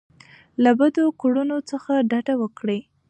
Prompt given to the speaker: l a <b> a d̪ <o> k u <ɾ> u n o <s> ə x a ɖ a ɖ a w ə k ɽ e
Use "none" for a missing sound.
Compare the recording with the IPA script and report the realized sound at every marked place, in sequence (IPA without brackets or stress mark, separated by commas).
b, o, ɽ, t͡s